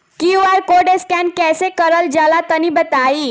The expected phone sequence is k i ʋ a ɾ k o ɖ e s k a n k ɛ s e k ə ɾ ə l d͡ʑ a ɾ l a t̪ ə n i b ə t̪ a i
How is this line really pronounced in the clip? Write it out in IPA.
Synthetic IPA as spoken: k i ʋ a ɾ k o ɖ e s k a n k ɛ s e k ə ɾ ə l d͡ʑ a l a t̪ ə n i b ə t̪ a i